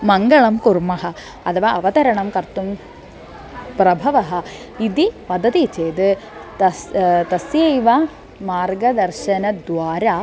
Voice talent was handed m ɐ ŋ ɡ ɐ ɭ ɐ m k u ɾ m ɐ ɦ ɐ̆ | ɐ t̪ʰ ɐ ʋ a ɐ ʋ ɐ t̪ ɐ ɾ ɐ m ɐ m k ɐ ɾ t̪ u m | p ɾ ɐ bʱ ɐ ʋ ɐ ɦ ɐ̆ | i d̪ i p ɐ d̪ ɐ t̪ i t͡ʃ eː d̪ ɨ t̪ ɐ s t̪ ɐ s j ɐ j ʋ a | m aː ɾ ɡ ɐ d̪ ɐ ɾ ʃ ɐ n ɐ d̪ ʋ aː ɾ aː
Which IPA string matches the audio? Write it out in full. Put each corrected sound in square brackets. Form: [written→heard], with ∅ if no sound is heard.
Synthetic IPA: m ɐ ŋ ɡ ɐ ɭ ɐ m k u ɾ m ɐ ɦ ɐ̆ | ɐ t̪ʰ ɐ ʋ a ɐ ʋ ɐ t̪ ɐ ɾ ɐ [m→ɳ] ɐ m k ɐ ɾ t̪ u m | p ɾ ɐ bʱ ɐ ʋ ɐ ɦ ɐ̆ | i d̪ i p ɐ d̪ ɐ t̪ i t͡ʃ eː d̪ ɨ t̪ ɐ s t̪ ɐ s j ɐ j ʋ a | m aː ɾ ɡ ɐ d̪ ɐ ɾ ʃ ɐ n ɐ d̪ ʋ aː ɾ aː